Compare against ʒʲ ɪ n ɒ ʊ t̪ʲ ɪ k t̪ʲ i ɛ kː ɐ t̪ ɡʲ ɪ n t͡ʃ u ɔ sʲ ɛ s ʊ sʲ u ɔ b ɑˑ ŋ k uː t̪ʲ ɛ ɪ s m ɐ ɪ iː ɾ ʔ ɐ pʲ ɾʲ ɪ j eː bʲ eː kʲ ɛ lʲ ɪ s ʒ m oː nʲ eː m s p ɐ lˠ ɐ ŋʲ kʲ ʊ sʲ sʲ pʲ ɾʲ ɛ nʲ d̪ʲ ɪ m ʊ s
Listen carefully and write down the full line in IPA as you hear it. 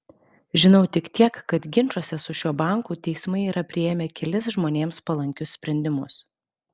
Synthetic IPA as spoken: ʒʲ ɪ n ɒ ʊ t̪ʲ ɪ k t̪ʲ i ɛ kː ɐ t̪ ɡʲ ɪ n t͡ʃ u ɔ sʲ ɛ s ʊ ʃʲ u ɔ b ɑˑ ŋ k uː t̪ʲ ɛ ɪ s m ɐ ɪ iː ɾ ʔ ɐ pʲ ɾʲ ɪ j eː mʲ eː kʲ ɛ lʲ ɪ s ʒ m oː nʲ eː m s p ɐ lˠ ɐ ŋʲ kʲ ʊ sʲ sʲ pʲ ɾʲ ɛ nʲ d̪ʲ ɪ m ʊ s